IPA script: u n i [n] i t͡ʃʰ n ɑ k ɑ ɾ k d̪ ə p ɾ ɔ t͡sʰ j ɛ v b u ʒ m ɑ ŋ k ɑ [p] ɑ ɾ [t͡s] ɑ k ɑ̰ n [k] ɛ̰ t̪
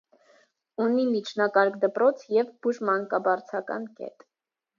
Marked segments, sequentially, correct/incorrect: incorrect, incorrect, incorrect, correct

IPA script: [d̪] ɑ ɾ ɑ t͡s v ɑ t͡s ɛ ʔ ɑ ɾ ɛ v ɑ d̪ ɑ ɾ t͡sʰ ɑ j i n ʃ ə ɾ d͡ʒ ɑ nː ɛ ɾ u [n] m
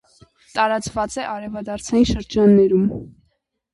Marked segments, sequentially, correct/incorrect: incorrect, incorrect

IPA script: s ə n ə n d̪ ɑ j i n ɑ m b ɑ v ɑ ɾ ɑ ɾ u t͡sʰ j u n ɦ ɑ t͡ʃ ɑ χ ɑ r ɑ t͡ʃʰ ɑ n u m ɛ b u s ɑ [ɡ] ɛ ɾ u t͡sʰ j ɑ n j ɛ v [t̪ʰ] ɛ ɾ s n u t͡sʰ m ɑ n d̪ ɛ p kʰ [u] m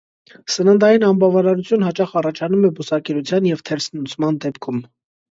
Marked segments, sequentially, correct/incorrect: incorrect, correct, correct

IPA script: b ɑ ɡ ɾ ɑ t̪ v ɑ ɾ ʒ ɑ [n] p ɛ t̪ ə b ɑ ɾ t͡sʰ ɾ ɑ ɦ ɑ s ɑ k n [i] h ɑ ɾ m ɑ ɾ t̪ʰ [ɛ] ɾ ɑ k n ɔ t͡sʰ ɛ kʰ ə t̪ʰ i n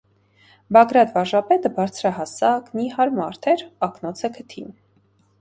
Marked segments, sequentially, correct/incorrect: incorrect, correct, correct

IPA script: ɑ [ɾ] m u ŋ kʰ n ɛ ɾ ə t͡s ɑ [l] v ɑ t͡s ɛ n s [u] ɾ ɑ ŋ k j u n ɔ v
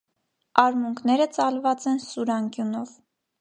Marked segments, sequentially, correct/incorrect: correct, correct, correct

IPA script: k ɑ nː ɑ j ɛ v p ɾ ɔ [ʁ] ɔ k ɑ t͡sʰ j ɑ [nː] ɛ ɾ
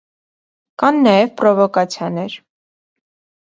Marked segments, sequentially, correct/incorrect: incorrect, incorrect

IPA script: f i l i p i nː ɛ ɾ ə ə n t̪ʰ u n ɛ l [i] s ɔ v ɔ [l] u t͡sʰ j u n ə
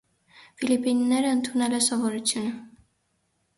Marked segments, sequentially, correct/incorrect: incorrect, incorrect

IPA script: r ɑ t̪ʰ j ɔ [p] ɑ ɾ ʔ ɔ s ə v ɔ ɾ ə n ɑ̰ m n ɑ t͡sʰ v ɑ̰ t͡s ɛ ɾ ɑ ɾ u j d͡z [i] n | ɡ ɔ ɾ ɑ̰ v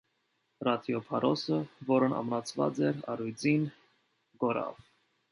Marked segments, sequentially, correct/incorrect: incorrect, correct

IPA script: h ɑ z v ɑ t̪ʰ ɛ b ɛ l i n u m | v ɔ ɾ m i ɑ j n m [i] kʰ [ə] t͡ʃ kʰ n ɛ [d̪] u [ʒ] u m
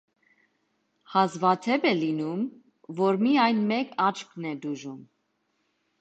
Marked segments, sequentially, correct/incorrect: incorrect, incorrect, correct, correct

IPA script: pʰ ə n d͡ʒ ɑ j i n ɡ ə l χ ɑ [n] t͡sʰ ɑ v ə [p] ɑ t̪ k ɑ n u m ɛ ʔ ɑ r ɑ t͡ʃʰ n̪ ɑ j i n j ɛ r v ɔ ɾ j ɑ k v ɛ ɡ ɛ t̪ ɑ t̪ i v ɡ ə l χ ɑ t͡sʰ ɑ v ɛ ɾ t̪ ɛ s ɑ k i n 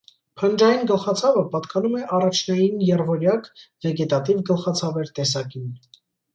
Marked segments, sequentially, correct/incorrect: incorrect, correct

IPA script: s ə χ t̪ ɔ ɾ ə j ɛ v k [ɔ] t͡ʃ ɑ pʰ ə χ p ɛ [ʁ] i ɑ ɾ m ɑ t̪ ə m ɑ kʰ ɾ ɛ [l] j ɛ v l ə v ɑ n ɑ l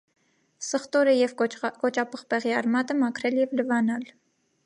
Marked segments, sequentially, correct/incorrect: correct, correct, correct

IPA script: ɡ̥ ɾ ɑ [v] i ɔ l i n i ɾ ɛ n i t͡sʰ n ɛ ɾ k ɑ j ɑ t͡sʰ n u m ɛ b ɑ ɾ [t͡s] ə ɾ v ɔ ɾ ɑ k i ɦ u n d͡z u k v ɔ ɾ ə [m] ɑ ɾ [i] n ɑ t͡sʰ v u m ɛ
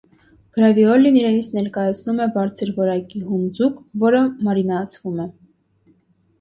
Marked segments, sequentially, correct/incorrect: correct, incorrect, correct, correct

